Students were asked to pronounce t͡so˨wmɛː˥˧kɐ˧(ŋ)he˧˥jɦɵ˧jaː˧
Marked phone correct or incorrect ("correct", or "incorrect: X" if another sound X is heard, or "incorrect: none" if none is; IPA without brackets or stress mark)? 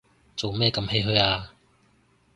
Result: incorrect: m